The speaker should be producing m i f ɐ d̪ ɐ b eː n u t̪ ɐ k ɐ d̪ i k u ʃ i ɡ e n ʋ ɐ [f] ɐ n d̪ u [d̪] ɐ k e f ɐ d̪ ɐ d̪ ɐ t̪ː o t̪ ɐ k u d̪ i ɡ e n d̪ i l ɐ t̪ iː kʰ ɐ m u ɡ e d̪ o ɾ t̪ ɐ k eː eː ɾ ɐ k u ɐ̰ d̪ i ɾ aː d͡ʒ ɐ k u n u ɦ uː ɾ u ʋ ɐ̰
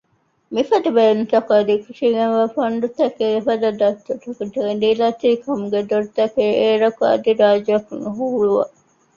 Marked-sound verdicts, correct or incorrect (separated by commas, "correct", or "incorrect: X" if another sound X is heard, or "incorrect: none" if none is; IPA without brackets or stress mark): correct, incorrect: t̪